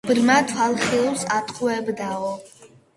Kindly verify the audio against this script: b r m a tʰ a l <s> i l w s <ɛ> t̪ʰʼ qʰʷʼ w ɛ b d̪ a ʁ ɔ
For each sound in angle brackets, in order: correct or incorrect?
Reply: incorrect, incorrect

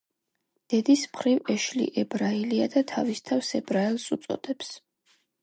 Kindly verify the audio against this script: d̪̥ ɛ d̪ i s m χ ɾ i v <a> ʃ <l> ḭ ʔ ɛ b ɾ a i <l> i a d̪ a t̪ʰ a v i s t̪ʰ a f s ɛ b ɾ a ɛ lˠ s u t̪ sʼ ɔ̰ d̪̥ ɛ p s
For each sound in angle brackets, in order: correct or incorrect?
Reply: incorrect, correct, correct

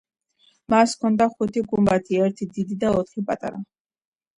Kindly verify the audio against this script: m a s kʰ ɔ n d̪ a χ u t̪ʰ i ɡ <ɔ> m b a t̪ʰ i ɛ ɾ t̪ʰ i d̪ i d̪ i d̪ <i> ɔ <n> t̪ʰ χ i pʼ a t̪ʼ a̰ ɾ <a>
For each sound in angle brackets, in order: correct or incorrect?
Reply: incorrect, incorrect, incorrect, correct

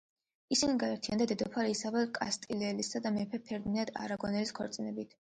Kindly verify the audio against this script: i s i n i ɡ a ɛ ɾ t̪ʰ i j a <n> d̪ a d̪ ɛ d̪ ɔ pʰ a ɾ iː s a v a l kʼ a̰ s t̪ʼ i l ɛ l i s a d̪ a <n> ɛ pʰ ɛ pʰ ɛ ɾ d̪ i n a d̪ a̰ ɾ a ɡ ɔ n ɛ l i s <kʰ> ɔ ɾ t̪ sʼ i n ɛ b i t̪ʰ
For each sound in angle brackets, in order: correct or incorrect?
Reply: correct, incorrect, correct

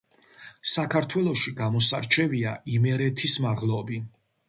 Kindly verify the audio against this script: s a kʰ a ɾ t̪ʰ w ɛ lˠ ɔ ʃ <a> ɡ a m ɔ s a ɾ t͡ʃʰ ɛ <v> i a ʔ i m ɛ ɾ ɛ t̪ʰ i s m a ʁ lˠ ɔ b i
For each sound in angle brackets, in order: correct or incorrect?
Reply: incorrect, correct

